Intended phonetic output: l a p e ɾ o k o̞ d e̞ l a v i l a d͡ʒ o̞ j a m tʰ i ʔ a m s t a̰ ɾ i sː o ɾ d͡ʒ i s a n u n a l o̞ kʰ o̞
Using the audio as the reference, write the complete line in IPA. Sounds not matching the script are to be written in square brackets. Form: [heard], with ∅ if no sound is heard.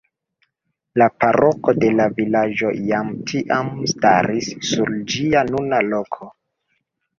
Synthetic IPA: l a p [a] ɾ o k o̞ d e̞ l a v i l a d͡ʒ o̞ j a m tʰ i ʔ a m s t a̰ ɾ i sː [u] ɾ d͡ʒ i [∅] a n u n a l o̞ kʰ o̞